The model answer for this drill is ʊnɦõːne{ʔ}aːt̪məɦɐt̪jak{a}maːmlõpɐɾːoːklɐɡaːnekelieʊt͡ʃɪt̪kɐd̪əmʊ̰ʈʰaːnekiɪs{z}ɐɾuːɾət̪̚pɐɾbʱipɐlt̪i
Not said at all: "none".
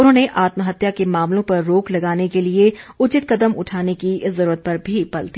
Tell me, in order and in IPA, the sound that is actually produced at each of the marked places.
ʔ, e, z

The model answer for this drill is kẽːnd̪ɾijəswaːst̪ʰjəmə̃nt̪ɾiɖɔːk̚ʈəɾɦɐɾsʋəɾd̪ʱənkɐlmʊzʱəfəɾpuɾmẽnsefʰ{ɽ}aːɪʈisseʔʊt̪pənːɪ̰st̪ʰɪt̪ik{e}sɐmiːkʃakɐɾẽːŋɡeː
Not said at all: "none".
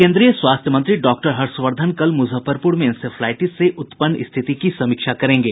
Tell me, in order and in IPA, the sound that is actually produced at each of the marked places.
l, i

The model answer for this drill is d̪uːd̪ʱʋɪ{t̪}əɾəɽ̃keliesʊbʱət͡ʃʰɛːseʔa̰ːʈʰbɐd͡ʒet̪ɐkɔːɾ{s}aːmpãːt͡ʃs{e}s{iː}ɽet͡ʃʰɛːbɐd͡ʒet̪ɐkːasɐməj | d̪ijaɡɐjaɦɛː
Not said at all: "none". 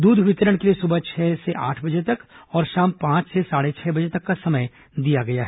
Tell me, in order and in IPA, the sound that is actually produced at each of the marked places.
t̪, ʃ, e, aː

